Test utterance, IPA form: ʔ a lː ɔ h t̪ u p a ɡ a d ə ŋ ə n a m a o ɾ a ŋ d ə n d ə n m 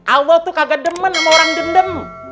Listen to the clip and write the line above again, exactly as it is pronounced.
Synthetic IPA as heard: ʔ a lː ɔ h t̪ u k a ɡ a d ə m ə n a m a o ɾ a ŋ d ə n d ə m